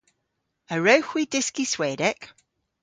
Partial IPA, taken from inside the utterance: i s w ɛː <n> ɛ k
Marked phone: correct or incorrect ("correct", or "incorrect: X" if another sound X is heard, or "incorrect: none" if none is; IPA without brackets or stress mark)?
incorrect: d